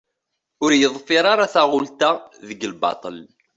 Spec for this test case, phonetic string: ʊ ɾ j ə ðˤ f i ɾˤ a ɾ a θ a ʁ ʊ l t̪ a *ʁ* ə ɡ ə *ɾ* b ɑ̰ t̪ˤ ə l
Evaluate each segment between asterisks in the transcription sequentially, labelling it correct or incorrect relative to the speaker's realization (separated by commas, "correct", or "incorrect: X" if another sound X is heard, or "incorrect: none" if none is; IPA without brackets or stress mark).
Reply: incorrect: ð, incorrect: l